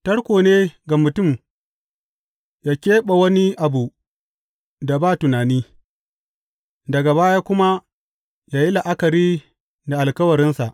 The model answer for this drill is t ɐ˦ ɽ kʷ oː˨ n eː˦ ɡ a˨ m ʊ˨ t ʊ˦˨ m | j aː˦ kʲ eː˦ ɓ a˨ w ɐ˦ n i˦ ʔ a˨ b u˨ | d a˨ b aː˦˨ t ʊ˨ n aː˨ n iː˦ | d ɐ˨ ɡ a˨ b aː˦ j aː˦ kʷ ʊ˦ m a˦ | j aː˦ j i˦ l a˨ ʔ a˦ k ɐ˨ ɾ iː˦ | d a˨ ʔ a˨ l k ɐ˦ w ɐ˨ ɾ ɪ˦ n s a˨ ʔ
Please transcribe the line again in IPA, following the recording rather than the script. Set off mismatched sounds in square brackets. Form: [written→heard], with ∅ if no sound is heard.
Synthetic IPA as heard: t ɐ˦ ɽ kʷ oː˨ n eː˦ ɡ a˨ m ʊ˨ t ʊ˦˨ m | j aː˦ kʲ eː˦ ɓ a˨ w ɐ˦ n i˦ ʔ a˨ b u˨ | d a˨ b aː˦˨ t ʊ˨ n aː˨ n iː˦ | d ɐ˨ ɡ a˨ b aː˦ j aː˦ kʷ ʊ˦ m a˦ | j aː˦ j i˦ l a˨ ʔ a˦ k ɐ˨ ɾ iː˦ | d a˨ ʔ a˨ l k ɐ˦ w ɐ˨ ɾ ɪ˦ n s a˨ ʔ